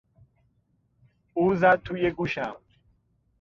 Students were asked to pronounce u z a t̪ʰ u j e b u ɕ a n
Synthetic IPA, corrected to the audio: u z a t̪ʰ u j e ɡ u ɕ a m